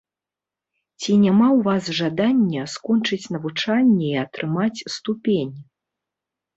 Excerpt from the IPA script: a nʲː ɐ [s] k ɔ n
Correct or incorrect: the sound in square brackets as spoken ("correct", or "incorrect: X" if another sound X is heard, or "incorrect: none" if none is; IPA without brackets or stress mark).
correct